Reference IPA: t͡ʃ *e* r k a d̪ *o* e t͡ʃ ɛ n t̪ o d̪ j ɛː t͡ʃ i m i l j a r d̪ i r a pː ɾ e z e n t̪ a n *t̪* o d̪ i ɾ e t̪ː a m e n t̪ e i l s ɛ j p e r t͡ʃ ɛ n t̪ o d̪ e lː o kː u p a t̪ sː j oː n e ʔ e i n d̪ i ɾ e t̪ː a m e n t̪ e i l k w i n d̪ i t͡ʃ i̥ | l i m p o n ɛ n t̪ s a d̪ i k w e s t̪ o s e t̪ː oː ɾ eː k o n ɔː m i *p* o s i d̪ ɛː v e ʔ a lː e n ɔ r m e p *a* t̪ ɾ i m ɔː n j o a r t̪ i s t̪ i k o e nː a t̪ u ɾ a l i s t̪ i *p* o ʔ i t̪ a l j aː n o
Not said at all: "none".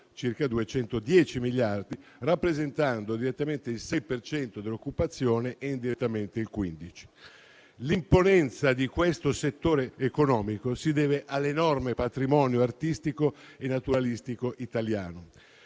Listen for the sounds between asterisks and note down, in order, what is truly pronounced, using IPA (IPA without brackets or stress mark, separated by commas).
i, u, d̪, k, a, k